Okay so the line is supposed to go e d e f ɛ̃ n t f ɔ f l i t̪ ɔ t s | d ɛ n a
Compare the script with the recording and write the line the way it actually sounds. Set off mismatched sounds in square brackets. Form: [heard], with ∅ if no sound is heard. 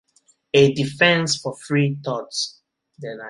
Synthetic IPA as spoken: e d [i] f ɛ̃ n [s] f ɔ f [ɹ] i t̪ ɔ t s | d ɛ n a